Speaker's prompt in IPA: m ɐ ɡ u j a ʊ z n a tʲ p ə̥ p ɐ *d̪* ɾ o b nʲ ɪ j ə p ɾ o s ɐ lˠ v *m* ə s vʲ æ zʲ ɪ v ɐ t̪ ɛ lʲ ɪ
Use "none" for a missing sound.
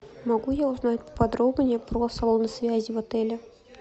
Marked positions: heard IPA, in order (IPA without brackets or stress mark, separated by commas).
d̪, n